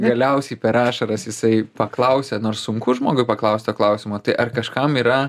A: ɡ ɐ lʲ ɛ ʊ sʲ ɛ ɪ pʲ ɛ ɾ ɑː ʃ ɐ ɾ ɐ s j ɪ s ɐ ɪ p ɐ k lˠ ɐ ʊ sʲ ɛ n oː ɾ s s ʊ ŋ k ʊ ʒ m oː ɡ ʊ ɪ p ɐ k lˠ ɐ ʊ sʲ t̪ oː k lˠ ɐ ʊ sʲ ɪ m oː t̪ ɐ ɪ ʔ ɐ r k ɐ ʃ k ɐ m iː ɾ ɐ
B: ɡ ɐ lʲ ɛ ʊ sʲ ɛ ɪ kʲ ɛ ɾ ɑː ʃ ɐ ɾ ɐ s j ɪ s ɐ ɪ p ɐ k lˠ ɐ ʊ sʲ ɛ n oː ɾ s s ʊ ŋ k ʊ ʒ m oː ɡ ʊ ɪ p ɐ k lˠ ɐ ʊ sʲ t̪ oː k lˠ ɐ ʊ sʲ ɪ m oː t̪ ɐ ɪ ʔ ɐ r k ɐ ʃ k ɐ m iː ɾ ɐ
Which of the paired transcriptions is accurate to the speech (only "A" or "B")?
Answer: A